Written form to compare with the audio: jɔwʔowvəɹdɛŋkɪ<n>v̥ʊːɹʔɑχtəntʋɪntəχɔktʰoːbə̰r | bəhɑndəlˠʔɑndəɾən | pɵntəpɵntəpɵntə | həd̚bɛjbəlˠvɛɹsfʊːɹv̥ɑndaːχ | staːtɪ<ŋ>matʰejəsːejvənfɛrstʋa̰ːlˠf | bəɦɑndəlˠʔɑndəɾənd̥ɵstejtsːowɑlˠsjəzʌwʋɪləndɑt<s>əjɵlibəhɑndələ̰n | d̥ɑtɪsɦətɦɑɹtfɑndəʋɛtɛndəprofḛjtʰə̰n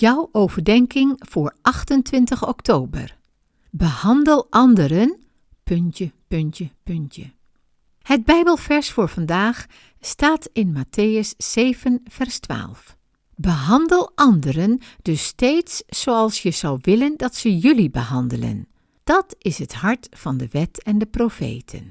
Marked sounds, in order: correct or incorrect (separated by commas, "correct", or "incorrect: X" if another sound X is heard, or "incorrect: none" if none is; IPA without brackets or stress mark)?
incorrect: ŋ, incorrect: n, correct